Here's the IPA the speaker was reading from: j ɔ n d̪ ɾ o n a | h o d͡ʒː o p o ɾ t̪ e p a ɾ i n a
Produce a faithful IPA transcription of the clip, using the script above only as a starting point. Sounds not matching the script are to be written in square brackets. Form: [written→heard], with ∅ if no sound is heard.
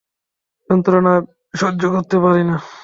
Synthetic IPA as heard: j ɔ n [d̪→t̪] ɾ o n a | [h→ʃ] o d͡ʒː o [p→k] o ɾ t̪ e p a ɾ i n a